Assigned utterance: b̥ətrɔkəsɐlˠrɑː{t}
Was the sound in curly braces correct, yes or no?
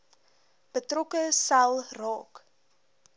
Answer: no